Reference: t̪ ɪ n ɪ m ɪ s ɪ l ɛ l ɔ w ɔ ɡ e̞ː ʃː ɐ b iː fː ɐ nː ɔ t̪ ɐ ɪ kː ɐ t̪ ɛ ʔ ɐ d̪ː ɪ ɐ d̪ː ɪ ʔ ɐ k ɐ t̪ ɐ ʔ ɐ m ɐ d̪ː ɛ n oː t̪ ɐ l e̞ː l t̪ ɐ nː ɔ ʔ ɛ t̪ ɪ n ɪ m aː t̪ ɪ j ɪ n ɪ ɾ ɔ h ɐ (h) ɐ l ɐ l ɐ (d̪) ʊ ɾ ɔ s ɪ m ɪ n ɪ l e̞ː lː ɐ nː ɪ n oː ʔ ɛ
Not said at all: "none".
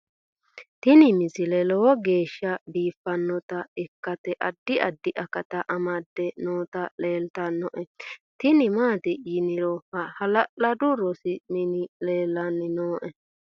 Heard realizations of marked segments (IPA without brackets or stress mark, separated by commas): h, d̪